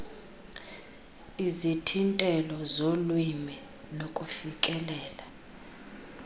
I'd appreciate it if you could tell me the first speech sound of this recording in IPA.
i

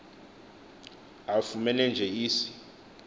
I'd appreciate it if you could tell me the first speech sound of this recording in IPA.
a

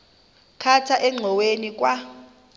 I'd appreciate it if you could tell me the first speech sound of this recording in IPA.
kʰ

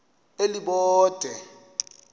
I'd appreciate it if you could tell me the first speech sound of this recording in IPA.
e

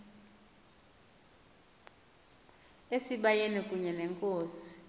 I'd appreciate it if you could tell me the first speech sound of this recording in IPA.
e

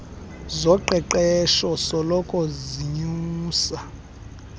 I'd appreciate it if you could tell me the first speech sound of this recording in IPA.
z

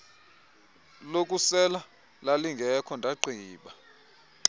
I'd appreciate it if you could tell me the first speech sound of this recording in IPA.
l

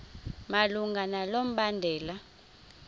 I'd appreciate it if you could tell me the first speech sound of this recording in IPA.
m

